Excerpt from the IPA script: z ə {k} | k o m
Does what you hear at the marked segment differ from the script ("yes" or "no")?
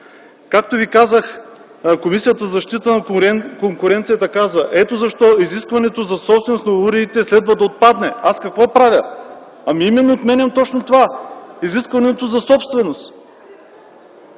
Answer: yes